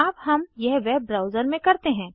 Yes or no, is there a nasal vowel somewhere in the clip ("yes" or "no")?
yes